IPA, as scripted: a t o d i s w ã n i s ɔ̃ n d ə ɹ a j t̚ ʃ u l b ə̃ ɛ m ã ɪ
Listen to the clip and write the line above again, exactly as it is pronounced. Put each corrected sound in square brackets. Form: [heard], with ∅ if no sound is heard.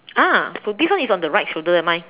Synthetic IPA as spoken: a [s] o d i s w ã n i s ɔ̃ n d ə ɹ a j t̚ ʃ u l [d] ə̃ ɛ m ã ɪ